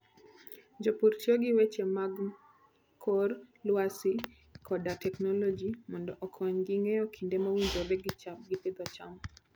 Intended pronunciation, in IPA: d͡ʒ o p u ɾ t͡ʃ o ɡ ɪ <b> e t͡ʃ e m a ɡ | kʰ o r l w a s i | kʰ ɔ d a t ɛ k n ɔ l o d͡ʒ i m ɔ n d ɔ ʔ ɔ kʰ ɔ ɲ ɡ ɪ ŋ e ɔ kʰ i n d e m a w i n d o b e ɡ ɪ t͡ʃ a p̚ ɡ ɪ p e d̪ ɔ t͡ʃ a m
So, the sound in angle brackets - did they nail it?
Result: no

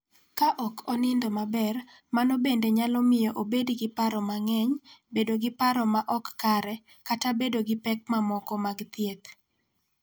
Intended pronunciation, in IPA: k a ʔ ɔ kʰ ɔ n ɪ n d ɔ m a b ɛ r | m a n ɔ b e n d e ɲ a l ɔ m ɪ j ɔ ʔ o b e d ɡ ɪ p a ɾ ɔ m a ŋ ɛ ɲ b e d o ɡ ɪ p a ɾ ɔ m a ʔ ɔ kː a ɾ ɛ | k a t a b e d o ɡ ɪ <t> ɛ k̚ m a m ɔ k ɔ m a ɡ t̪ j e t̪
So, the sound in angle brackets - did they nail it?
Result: no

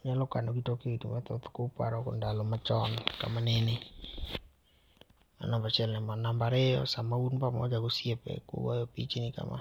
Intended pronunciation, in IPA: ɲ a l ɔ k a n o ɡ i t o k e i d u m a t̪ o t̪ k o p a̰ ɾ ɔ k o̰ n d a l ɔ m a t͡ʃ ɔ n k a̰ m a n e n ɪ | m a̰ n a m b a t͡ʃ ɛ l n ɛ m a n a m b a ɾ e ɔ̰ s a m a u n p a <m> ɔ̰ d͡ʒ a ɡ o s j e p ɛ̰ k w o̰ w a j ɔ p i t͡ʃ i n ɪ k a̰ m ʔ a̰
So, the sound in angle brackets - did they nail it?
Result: yes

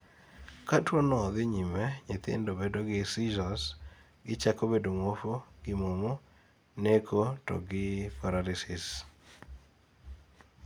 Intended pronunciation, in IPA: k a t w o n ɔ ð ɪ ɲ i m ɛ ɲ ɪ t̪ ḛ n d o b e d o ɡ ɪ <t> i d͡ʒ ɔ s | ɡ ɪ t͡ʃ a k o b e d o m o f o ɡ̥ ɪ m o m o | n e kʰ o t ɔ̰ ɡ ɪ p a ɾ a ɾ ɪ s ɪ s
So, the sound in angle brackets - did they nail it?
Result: no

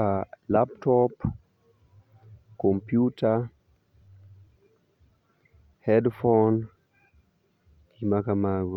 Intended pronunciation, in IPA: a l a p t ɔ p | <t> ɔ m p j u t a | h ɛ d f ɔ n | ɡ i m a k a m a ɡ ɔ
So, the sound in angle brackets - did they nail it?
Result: no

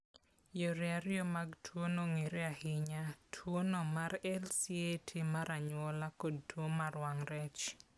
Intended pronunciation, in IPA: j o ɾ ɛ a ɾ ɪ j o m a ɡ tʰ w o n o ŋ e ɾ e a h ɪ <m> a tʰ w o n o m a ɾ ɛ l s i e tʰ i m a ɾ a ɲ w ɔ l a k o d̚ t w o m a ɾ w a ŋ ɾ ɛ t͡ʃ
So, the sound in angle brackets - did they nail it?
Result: no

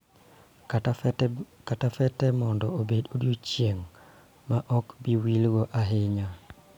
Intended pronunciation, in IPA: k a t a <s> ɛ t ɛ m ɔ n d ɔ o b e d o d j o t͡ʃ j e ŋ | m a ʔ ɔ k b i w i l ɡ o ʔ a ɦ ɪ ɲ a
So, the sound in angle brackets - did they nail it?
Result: no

